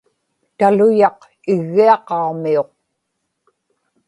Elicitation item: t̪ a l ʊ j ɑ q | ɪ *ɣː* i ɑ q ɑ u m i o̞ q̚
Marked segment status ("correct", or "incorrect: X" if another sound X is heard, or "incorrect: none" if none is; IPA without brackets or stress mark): correct